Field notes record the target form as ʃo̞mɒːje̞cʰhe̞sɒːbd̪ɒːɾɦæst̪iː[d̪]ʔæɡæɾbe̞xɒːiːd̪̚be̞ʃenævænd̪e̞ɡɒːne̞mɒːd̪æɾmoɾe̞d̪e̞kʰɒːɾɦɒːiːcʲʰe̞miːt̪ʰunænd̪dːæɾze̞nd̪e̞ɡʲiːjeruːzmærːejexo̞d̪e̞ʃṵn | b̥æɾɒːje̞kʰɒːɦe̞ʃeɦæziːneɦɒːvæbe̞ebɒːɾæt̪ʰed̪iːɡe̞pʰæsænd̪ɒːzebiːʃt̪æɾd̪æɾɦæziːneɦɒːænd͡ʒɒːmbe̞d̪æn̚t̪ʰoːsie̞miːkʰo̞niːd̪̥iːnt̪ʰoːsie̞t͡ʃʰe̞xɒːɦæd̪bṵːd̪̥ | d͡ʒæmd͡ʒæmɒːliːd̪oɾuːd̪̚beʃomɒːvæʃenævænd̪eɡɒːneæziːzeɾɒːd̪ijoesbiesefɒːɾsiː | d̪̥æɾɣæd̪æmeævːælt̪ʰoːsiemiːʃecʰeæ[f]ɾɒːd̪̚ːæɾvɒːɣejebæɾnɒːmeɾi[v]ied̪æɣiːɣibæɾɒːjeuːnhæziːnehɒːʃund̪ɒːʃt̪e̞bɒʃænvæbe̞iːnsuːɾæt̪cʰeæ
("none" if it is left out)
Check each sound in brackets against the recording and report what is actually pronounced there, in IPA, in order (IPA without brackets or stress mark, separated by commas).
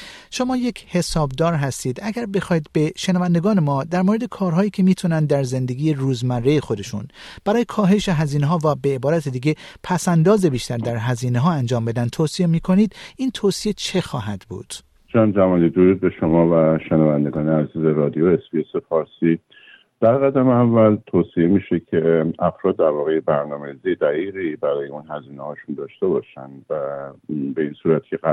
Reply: d̪, f, z